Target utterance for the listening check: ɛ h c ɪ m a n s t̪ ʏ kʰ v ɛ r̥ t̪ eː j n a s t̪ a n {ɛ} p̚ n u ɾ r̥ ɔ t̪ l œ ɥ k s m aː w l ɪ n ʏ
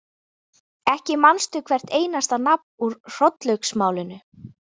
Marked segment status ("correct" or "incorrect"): incorrect